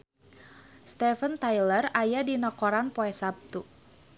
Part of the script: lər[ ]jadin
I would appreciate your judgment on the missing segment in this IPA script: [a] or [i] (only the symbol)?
a